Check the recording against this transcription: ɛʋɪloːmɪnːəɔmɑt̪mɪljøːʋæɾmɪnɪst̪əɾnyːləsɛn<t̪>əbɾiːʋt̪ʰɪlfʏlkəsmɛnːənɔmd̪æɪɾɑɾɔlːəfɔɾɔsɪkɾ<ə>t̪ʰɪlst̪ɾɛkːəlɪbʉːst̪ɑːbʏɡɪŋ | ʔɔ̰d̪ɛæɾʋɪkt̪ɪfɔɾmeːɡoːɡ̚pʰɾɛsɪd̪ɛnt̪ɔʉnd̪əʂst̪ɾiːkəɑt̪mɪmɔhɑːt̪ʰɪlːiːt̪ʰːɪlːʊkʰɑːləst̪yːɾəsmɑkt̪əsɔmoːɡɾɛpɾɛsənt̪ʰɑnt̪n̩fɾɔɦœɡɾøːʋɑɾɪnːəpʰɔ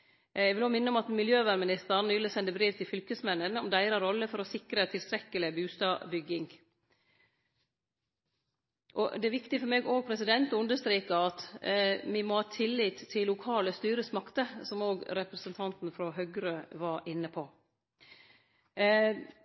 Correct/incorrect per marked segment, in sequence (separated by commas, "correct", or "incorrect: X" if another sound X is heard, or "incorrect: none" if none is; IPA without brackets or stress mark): incorrect: d̪, correct